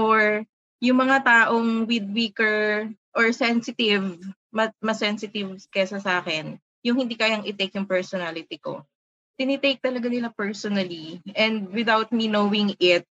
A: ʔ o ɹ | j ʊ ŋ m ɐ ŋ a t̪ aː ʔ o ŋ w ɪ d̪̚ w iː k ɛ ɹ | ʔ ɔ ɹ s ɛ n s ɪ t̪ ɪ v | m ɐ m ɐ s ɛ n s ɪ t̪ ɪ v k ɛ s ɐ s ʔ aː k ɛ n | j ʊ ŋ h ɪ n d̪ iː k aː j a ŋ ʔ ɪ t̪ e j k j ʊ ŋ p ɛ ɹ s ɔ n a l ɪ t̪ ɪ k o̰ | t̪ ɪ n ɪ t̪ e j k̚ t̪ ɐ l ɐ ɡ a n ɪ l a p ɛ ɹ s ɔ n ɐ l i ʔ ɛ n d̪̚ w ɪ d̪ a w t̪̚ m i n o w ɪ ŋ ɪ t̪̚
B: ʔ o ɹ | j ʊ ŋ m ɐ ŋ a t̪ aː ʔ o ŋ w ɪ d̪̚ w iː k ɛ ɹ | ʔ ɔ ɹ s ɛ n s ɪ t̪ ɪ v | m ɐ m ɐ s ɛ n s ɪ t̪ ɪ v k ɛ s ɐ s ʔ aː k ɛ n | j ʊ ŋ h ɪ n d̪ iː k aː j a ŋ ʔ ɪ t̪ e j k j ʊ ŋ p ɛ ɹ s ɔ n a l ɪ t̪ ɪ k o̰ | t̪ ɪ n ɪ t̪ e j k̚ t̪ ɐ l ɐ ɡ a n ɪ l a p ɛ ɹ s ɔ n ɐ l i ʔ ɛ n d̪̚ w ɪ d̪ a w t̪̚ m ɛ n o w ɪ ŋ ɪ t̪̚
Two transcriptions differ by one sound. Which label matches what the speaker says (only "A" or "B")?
A